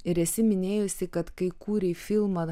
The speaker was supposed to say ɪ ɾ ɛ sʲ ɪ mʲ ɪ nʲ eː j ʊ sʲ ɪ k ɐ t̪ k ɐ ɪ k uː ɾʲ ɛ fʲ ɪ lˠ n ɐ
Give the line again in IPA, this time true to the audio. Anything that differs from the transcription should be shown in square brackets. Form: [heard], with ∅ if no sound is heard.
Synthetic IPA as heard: ɪ ɾ ɛ sʲ ɪ mʲ ɪ nʲ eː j ʊ sʲ ɪ k ɐ t̪ k ɐ ɪ k uː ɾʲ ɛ fʲ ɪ lˠ [m] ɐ